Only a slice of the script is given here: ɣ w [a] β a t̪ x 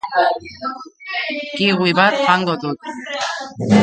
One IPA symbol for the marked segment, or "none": i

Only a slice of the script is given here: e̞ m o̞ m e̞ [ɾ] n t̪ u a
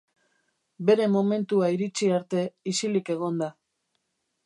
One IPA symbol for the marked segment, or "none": none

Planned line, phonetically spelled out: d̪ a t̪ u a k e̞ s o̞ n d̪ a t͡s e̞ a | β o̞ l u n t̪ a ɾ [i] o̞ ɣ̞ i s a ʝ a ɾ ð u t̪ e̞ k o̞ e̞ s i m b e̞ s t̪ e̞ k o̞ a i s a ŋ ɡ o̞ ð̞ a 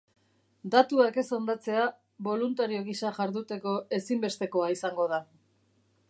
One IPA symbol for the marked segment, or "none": i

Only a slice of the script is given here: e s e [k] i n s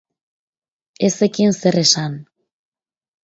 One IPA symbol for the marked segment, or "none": k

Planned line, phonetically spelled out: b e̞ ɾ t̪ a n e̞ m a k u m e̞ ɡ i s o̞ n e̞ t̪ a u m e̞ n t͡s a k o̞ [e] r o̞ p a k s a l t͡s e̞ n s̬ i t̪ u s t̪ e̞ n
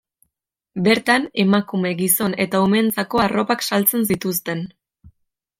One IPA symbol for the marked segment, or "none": a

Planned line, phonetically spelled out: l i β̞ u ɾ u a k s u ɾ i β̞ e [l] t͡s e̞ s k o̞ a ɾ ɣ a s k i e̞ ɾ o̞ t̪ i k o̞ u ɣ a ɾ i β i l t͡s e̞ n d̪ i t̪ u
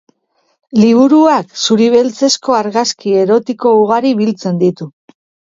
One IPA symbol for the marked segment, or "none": l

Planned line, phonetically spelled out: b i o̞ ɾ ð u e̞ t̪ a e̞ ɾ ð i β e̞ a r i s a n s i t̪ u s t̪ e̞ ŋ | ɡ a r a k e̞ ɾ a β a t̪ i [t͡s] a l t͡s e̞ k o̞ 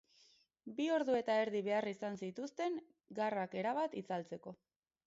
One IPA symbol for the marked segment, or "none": t͡s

